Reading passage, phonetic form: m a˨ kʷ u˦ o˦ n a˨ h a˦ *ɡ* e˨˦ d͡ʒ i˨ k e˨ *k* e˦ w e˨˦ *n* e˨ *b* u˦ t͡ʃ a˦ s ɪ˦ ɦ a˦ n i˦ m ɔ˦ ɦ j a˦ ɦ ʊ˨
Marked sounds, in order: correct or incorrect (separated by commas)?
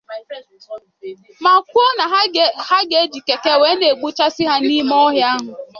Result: correct, correct, correct, incorrect